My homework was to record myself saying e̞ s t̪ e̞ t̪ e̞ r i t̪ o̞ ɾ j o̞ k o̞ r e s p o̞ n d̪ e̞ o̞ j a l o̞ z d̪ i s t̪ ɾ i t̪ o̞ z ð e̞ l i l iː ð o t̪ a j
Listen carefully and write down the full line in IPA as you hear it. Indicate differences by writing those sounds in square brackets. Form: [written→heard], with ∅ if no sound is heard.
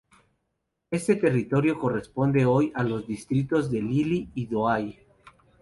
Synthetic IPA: e̞ s t̪ e̞ t̪ e̞ r i t̪ o̞ ɾ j o̞ k o̞ r e s p o̞ n d̪ e̞ o̞ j a l o̞ z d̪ i s t̪ ɾ i t̪ o̞ z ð e̞ l i l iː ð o [t̪→∅] a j